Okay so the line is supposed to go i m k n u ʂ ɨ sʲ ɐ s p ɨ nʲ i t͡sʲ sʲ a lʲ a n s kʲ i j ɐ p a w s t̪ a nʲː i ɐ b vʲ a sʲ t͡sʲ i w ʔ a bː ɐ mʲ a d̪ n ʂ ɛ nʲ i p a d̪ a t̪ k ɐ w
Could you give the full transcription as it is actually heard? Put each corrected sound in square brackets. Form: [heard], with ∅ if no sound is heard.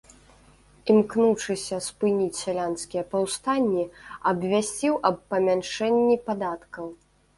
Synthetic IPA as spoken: i m k n u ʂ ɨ sʲ ɐ s p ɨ nʲ i t͡sʲ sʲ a lʲ a n s kʲ i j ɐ p a w s t̪ a nʲː i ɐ b vʲ a sʲ t͡sʲ i w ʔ [ɐ] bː ɐ mʲ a [∅] n ʂ ɛ [nʲː] i p a d̪ a t̪ k ɐ w